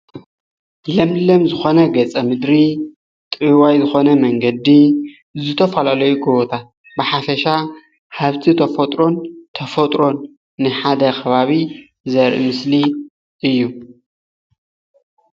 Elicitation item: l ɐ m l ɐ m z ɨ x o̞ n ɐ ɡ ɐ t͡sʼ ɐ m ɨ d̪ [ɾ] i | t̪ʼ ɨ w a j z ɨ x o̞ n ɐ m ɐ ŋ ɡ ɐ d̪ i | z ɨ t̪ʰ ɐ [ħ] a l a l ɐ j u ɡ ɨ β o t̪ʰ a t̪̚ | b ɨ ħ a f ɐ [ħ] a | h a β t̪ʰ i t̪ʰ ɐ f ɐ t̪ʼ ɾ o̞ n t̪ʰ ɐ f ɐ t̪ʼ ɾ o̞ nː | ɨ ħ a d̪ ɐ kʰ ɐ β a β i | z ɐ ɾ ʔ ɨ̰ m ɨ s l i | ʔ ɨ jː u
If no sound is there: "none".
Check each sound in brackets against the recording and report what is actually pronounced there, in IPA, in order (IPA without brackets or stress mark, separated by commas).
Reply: ɾ, f, ʃ